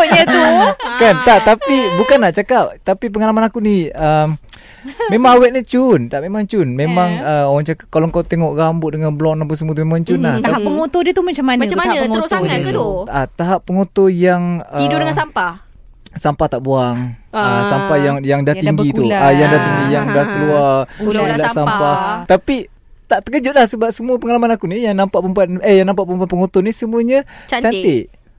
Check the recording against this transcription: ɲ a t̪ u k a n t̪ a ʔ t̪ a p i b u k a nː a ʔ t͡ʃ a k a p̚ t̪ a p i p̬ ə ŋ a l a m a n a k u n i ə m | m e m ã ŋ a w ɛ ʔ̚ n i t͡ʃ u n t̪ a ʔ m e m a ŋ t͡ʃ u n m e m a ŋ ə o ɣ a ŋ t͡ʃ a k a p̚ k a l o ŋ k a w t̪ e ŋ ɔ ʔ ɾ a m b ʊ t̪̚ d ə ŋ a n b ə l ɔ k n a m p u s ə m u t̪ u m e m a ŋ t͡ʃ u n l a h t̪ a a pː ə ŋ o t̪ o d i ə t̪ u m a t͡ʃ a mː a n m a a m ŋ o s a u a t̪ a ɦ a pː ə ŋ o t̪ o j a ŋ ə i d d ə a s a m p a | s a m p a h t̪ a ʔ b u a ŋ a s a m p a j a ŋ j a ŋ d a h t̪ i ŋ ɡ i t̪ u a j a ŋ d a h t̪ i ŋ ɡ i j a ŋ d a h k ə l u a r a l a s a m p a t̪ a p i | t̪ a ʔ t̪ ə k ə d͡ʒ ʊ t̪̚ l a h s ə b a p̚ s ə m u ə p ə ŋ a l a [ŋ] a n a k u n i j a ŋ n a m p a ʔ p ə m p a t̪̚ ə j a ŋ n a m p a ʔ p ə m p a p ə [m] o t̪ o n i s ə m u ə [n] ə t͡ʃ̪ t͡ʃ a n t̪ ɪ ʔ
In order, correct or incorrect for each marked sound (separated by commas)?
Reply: incorrect, incorrect, incorrect